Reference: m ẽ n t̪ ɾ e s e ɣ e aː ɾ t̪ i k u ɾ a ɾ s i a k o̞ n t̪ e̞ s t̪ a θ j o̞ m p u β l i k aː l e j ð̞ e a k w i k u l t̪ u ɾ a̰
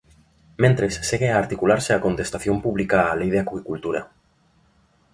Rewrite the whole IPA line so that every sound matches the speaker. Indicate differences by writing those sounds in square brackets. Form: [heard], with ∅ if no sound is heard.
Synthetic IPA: m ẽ n t̪ ɾ e [sː] e ɣ e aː ɾ t̪ i k u [l] a ɾ s [e] a k o̞ n t̪ e̞ s t̪ a θ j o̞ m p u β l i k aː l e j ð̞ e a k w i k u l t̪ u ɾ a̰